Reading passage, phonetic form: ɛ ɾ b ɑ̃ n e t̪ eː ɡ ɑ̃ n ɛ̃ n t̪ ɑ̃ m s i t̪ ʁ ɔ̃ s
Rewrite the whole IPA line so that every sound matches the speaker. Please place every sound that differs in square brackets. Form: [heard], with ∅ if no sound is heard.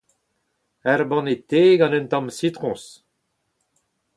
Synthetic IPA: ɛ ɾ b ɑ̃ n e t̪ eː ɡ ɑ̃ n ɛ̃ n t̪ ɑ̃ m s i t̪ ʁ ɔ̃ s